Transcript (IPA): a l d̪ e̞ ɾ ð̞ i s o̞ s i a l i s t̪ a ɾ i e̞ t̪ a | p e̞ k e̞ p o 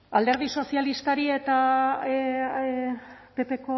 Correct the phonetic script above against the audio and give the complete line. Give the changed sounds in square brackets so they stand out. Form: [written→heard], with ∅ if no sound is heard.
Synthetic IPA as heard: a l d̪ e̞ ɾ ð̞ i s o̞ s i a l i s t̪ a ɾ i e̞ t̪ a | p e̞ [k→p] e̞ [p→k] o

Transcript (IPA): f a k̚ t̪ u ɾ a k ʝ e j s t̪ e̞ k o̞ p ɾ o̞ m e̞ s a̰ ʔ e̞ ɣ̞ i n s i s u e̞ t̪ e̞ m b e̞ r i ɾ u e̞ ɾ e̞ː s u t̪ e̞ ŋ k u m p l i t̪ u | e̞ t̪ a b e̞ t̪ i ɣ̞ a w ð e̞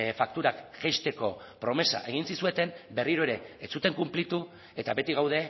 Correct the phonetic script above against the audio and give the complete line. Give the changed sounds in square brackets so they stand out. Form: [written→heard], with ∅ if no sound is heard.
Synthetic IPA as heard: f a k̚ t̪ u ɾ a k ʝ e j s t̪ e̞ k o̞ p ɾ o̞ m e̞ s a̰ ʔ e̞ ɣ̞ i n s i s u e̞ t̪ e̞ m b e̞ r i ɾ [u→o] e̞ ɾ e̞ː [s→t͡s] u t̪ e̞ ŋ k u m p l i t̪ u | e̞ t̪ a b e̞ t̪ i ɣ̞ a w ð e̞

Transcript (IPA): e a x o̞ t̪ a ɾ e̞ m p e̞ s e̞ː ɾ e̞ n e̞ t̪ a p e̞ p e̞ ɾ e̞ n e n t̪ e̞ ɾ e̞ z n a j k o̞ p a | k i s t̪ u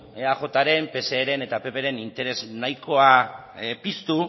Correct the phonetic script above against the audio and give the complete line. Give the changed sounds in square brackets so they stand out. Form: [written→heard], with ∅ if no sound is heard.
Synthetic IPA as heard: e a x o̞ t̪ a ɾ e̞ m p e̞ s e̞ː ɾ e̞ n e̞ t̪ a p e̞ p e̞ ɾ e̞ n [e→i] n t̪ e̞ ɾ e̞ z n a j k o̞ [p→∅] a | [k→p] i s t̪ u

